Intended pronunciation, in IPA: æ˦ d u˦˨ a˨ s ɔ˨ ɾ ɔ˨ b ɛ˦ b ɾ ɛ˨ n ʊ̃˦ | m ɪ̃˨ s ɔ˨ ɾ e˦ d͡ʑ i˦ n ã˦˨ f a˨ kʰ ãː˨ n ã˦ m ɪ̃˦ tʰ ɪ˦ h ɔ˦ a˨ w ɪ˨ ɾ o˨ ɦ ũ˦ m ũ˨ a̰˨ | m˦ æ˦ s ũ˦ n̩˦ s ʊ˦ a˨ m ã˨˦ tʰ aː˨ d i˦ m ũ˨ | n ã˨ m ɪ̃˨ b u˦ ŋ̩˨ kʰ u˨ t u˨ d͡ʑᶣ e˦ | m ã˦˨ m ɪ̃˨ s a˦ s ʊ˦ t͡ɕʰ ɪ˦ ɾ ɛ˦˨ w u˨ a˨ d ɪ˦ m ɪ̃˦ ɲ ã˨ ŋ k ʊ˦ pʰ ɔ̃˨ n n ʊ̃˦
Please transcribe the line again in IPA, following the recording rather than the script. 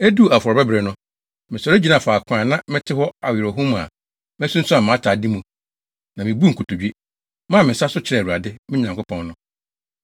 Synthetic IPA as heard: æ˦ d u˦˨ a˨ f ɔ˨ ɾ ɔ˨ b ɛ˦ b ɾ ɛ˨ n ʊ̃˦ | m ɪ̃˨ s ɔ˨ ɾ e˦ d͡ʑ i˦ n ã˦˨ f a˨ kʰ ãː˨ n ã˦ m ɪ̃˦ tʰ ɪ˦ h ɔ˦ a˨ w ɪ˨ ɾ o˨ ɦ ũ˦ m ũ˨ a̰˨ | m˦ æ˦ s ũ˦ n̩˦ s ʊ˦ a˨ m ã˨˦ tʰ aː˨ d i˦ m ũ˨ | n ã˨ m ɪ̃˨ b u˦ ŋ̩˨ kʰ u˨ t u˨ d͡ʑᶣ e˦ | m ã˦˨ m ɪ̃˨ s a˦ s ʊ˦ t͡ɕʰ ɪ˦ ɾ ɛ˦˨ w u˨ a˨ d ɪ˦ m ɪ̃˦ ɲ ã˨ ŋ k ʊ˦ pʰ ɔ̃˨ n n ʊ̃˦

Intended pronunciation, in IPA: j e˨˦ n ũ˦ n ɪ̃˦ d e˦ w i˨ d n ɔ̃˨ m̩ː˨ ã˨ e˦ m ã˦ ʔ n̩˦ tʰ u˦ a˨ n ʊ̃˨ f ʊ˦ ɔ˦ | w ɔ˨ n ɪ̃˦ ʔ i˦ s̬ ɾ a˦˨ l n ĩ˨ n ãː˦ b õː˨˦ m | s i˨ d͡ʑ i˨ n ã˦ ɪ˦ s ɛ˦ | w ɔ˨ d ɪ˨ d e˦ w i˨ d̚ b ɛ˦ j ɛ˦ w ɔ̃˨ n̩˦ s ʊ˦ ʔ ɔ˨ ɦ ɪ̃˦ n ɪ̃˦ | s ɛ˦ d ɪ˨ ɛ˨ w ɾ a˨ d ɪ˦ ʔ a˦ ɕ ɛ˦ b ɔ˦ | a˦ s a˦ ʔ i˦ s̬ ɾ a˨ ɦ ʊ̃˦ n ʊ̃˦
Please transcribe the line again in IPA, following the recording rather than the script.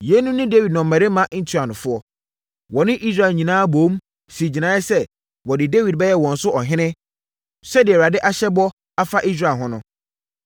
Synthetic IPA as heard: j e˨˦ n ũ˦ n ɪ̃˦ d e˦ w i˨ d n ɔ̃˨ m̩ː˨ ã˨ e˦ m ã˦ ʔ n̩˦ tʰ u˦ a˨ n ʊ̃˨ f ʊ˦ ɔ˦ | w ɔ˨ n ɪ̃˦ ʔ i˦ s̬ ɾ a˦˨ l ɲ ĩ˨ n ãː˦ b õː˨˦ m | s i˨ d͡ʑ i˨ n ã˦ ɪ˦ s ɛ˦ | w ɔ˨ d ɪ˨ d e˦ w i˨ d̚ b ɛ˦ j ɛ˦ w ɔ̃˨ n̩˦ s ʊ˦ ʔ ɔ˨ ɦ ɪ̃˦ n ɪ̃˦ | s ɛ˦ d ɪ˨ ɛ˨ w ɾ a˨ d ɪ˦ ʔ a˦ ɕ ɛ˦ b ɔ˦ | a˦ f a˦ ʔ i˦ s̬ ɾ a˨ ɦ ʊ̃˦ n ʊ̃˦

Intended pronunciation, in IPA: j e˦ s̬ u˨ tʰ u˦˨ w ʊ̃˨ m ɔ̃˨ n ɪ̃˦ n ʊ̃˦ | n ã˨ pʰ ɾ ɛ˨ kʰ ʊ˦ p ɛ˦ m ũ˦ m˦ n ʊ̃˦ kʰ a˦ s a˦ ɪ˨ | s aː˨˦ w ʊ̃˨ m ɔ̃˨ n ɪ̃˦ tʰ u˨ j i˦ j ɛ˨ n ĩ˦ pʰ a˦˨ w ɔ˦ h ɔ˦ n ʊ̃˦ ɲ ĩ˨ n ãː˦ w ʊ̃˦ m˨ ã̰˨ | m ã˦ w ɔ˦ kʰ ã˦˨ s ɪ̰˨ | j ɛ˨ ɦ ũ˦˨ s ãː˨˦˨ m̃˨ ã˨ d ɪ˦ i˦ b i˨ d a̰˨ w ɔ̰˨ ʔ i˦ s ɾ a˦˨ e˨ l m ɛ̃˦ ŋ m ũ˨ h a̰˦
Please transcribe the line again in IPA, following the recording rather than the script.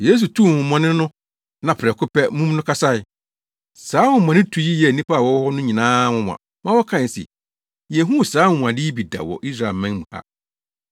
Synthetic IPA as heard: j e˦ s̬ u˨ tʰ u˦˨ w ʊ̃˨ m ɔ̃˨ n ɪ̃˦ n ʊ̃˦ | n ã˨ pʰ ɾ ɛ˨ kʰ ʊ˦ p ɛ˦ m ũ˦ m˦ n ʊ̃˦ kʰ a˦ s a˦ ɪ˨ | s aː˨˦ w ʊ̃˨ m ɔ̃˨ n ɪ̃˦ tʰ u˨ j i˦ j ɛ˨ n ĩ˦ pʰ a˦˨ w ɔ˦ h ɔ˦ n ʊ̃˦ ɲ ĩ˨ n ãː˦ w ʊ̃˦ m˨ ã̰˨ | m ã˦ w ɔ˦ kʰ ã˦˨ s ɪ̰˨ | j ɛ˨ ɦ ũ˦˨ s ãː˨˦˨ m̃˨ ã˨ d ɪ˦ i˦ b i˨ d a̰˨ w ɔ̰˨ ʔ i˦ s ɾ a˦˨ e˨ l m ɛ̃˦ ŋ m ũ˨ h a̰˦

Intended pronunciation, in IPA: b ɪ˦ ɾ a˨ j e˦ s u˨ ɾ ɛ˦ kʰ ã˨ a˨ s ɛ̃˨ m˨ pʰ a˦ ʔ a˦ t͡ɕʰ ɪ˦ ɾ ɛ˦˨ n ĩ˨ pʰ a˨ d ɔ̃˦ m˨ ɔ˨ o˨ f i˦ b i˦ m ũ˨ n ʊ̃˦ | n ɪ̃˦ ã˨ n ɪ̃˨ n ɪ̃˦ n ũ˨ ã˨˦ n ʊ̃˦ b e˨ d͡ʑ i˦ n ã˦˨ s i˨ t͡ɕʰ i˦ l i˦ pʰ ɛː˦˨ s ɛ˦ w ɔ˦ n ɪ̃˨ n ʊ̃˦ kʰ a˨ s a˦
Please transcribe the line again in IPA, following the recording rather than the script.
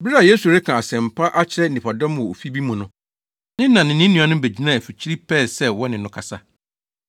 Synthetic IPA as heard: b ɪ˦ ɾ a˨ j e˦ s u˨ ɾ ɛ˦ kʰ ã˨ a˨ s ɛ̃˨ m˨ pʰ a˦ ʔ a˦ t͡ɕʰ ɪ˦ ɾ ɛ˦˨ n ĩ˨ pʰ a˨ d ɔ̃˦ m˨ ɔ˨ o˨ f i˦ b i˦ m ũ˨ n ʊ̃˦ | n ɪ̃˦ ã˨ n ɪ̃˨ n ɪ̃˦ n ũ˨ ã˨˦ n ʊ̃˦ b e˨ d͡ʑ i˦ n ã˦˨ f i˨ t͡ɕʰ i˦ ɾ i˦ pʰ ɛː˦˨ s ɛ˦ w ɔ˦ n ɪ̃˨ n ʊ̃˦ kʰ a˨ s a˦

